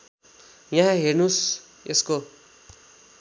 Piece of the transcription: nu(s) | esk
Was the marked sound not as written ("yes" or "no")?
no